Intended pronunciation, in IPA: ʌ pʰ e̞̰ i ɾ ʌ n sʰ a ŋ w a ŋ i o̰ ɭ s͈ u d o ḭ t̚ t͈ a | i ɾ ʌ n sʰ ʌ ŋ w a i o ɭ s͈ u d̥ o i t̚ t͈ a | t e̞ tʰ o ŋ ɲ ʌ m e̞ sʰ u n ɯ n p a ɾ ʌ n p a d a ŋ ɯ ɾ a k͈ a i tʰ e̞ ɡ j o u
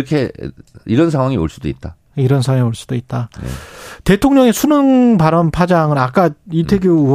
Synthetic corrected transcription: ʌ kʰ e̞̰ i ɾ ʌ n sʰ a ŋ w a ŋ i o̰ ɭ s͈ u d o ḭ t̚ t͈ a | i ɾ ʌ n sʰ a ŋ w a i o ɭ s͈ u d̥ o i t̚ t͈ a | t e̞ tʰ o ŋ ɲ ʌ ŋ e̞ sʰ u n ɯ ŋ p a ɾ ʌ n pʰ a d͡ʑ a ŋ ɯ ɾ a k͈ a i tʰ e̞ ɡ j o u